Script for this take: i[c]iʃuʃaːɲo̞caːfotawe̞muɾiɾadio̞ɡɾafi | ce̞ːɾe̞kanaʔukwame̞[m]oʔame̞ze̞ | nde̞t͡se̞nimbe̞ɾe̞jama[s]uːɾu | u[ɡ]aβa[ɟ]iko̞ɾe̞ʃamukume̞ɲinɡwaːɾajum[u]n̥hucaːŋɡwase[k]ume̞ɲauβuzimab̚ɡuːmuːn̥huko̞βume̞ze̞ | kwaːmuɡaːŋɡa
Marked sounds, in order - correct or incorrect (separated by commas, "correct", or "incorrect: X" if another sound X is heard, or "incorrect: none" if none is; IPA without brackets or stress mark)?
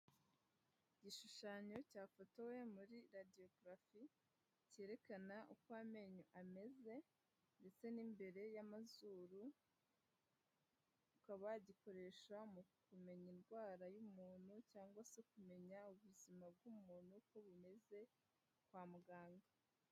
incorrect: ɟ, incorrect: ɲ, incorrect: z, incorrect: k, correct, incorrect: uː, correct